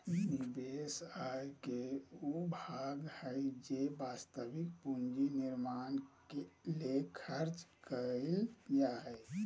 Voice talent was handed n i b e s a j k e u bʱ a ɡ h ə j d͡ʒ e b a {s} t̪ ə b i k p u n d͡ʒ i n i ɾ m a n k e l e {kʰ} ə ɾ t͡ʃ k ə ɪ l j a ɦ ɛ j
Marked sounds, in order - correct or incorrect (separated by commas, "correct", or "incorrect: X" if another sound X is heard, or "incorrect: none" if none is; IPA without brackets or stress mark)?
correct, correct